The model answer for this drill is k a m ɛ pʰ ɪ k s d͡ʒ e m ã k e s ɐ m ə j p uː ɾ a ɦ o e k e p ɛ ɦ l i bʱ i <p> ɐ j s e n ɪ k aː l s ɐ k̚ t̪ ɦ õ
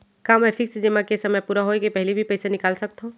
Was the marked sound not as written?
no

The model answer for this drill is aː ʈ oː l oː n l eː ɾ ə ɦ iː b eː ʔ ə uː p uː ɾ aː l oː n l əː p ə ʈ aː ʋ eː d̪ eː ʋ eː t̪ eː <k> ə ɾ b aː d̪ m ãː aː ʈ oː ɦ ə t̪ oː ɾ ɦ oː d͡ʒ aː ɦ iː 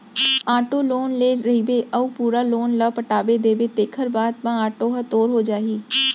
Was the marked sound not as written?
yes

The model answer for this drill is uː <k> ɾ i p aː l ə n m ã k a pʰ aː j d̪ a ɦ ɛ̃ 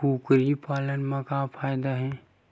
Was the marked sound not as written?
no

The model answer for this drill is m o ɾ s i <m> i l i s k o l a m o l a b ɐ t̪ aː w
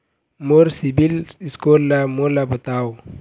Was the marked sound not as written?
yes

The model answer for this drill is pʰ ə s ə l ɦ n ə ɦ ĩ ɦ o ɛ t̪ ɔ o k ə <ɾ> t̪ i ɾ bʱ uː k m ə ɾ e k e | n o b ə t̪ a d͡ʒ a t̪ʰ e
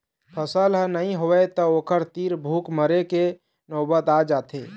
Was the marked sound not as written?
no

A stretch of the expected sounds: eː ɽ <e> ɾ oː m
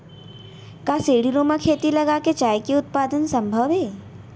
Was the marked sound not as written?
yes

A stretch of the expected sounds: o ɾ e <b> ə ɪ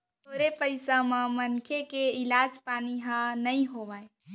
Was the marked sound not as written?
yes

